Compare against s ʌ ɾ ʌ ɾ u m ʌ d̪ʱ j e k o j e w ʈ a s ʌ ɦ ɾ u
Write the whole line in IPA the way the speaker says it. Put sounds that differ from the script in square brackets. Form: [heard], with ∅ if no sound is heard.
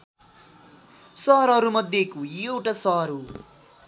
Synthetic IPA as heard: s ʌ ɾ ʌ ɾ u m ʌ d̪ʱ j e k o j e w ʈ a s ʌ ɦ ɾ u